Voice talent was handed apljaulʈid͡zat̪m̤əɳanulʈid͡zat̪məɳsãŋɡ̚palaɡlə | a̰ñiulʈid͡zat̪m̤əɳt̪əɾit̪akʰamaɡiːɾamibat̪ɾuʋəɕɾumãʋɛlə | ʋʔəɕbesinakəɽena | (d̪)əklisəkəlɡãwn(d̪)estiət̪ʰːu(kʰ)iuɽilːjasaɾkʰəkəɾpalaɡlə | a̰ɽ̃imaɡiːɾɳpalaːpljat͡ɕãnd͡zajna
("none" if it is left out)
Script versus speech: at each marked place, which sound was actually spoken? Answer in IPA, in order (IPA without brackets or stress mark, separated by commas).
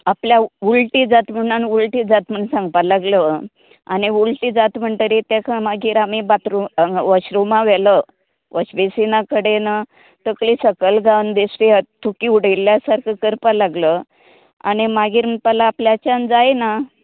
t̪, d̪, k